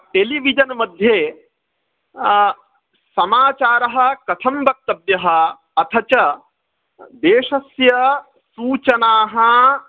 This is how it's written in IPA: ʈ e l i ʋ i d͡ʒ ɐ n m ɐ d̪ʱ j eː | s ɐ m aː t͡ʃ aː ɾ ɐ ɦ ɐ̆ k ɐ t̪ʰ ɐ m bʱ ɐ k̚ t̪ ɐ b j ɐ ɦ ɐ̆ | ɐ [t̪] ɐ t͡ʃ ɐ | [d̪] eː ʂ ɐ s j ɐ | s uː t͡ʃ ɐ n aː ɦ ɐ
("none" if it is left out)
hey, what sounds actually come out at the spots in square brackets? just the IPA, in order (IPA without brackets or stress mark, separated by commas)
t̪ʰ, d̪